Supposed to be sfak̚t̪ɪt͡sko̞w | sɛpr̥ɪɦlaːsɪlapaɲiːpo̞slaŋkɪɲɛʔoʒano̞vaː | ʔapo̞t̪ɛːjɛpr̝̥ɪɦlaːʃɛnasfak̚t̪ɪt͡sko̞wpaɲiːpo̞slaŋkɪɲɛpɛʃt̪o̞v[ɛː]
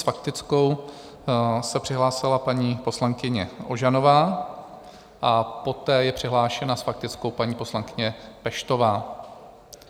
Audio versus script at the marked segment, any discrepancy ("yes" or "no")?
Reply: yes